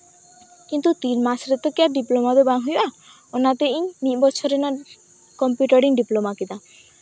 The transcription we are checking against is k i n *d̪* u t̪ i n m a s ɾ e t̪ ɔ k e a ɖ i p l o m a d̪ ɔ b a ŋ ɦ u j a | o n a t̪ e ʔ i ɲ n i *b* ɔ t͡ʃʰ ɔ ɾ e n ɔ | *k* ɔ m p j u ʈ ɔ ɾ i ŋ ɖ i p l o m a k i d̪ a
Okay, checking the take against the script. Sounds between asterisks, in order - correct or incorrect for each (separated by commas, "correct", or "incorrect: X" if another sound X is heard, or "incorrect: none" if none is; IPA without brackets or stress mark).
incorrect: t̪, correct, correct